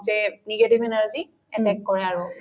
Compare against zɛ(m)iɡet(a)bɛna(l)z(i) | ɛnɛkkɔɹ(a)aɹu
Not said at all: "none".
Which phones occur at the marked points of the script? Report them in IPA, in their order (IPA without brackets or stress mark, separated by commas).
n, i, ɹ, i, ɛ